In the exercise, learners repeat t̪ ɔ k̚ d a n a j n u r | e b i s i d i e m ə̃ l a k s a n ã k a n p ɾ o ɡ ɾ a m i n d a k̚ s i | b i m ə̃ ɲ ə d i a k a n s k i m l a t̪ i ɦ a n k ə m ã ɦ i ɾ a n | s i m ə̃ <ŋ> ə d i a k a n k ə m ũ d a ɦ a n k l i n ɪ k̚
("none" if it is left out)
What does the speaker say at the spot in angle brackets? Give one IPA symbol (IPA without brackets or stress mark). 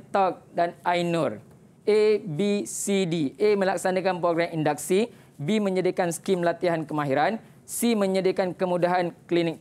ɲ